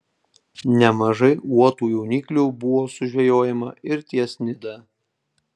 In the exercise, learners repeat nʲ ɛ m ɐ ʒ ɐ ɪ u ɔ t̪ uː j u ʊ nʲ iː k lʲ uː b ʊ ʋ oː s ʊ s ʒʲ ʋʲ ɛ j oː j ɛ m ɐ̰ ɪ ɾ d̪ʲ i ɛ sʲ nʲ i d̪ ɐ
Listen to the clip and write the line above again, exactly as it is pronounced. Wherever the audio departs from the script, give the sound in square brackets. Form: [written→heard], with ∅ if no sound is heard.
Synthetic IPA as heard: nʲ ɛ m ɐ ʒ ɐ ɪ u ɔ t̪ uː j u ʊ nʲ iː k lʲ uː b ʊ ʋ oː s ʊ [s→∅] ʒʲ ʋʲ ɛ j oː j ɛ m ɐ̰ ɪ ɾ [d̪ʲ→t̪ʲ] i ɛ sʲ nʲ [i→ɪ] d̪ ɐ